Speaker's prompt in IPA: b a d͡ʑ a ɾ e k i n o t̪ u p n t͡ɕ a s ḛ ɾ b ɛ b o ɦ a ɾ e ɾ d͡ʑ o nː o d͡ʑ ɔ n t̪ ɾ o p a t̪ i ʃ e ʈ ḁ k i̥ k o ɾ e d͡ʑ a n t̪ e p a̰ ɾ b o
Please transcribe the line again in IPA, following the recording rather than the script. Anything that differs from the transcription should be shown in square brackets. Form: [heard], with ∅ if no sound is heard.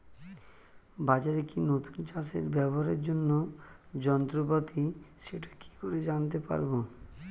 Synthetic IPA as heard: b a d͡ʑ a ɾ e k i n o t̪ u [∅] n t͡ɕ a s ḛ ɾ b ɛ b o ɦ a ɾ e ɾ d͡ʑ o nː o d͡ʑ ɔ n t̪ ɾ o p a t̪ i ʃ e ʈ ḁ k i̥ k o ɾ e d͡ʑ a n t̪ e p a̰ ɾ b o

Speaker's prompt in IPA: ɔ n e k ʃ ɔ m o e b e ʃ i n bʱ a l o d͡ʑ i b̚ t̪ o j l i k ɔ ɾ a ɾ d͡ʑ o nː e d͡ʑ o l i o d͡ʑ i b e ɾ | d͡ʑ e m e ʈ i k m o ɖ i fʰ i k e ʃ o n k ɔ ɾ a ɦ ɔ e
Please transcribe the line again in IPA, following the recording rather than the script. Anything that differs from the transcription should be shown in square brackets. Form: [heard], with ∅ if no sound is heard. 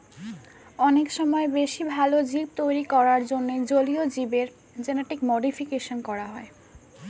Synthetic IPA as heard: ɔ n e k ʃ ɔ m [ɔ] e b e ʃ i [∅] bʱ a l o d͡ʑ i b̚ t̪ o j [ɾ] i k ɔ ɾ a ɾ d͡ʑ o nː e d͡ʑ o l i o d͡ʑ i b e ɾ | d͡ʑ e [n] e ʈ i k m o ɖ i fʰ i k e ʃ o n k ɔ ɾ a ɦ ɔ e

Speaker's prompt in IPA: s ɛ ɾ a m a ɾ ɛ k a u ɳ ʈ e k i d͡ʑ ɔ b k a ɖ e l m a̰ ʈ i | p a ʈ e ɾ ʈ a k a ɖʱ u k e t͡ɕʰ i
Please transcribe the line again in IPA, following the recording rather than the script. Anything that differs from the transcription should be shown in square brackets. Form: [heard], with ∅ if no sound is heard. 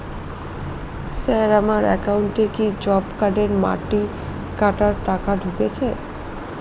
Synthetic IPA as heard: s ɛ ɾ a m a ɾ ɛ k a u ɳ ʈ e k i d͡ʑ ɔ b k a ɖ e [ɾ] m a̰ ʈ i | [k] a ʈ [a] ɾ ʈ a k a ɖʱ u k e t͡ɕʰ [e]

